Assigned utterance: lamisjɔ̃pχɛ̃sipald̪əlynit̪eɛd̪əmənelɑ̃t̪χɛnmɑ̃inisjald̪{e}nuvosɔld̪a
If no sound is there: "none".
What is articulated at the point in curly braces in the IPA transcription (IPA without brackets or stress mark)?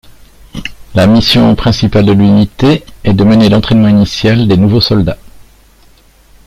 e